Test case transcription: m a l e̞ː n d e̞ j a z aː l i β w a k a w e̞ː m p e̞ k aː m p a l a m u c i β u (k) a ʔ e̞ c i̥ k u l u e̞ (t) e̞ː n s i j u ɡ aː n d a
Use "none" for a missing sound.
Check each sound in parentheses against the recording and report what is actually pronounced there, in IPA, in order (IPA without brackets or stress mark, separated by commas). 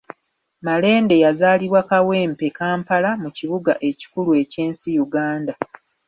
ɡ, c